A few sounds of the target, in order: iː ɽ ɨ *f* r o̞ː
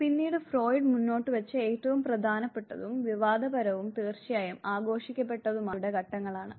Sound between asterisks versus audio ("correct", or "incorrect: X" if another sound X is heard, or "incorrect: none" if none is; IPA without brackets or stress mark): correct